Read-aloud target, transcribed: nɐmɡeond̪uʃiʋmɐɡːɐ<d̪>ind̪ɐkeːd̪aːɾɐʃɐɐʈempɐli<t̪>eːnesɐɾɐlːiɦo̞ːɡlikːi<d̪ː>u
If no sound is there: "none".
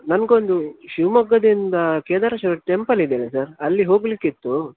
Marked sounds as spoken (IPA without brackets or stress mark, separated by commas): d̪, d̪, t̪ː